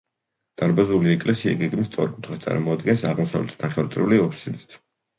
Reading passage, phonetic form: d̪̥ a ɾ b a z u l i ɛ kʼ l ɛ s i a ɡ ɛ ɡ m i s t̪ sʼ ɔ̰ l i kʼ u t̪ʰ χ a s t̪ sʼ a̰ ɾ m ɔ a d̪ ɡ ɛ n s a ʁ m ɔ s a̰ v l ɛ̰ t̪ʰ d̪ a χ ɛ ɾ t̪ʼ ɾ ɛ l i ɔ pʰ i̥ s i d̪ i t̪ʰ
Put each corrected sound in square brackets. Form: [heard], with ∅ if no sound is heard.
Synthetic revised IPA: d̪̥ a ɾ b a z u l i ɛ kʼ l ɛ s i a ɡ ɛ ɡ m i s t̪ sʼ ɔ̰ [ɾ] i kʼ u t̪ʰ χ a s t̪ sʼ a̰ ɾ m ɔ a d̪ ɡ ɛ n s a ʁ m ɔ s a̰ v l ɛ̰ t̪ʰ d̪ a χ ɛ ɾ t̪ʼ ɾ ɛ l i ɔ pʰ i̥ s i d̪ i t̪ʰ